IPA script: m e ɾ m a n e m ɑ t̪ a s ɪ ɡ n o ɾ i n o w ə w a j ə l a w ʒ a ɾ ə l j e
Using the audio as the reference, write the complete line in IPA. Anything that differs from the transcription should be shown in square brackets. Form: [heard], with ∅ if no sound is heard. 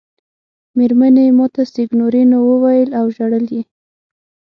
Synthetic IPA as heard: m e ɾ m a n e m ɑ t̪ a s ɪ ɡ n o ɾ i n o w ə w a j ə l a w ʒ a [ɽ] ə l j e